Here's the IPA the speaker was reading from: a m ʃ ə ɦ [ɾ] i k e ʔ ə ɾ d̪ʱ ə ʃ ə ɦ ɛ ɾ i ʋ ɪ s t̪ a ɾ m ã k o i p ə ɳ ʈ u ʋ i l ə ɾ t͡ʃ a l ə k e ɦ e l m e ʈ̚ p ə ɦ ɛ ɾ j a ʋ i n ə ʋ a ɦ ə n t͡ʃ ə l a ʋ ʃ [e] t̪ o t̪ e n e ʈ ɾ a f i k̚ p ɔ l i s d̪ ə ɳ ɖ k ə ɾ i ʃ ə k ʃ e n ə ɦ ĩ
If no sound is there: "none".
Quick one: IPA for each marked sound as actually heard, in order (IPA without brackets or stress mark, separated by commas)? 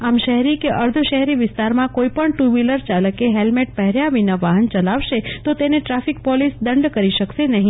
ɾ, e